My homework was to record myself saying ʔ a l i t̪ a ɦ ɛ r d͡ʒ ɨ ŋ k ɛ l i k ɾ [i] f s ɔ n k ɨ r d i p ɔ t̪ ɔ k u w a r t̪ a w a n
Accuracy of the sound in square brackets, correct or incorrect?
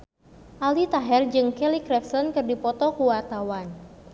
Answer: incorrect